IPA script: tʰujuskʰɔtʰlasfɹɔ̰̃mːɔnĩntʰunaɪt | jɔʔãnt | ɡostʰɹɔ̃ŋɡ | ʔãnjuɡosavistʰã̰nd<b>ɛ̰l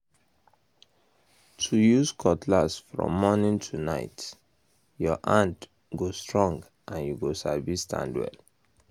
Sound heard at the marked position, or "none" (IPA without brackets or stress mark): w